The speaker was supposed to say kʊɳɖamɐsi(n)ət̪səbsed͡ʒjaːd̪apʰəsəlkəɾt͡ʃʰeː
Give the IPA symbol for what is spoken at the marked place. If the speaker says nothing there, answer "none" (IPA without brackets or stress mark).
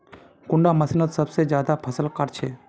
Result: n